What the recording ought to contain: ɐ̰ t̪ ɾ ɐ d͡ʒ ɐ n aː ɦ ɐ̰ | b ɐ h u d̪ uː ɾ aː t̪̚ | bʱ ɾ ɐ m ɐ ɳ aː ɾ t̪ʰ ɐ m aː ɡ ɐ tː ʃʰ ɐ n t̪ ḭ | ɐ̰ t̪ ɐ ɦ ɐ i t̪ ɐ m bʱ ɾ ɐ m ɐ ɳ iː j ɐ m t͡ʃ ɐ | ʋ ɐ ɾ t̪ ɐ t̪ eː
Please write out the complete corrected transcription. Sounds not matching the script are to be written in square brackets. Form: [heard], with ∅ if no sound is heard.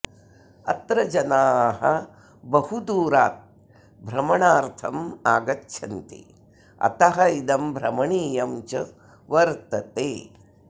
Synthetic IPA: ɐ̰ t̪ ɾ ɐ d͡ʒ ɐ n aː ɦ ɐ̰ | b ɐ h u d̪ uː ɾ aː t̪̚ | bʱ ɾ ɐ m ɐ ɳ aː ɾ t̪ʰ ɐ m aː ɡ ɐ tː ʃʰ ɐ n t̪ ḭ | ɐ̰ t̪ ɐ ɦ ɐ i [d̪] ɐ m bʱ ɾ ɐ m ɐ ɳ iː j ɐ m t͡ʃ ɐ | ʋ ɐ ɾ t̪ ɐ t̪ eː